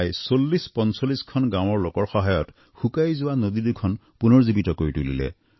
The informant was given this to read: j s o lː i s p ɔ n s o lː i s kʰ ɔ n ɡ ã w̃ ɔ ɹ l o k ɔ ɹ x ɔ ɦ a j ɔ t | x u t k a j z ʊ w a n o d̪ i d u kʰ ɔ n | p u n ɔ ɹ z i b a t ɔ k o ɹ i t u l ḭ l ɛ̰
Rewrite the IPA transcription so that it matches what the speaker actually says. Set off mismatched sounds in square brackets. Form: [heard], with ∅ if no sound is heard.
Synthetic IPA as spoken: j s o lː i s p ɔ n s o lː i s kʰ ɔ n ɡ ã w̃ ɔ ɹ l o k ɔ ɹ x ɔ ɦ a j ɔ t | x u [∅] k a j z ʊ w a n o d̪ i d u kʰ ɔ n | p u n ɔ ɹ z i b [i] t ɔ k o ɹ i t u l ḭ l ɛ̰